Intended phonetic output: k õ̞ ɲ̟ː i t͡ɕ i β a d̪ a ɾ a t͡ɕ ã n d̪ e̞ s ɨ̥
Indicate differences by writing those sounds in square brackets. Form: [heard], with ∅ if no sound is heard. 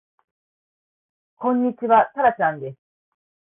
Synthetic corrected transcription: k õ̞ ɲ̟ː i t͡ɕ i β a [t̪] a ɾ a t͡ɕ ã n d̪ e̞ s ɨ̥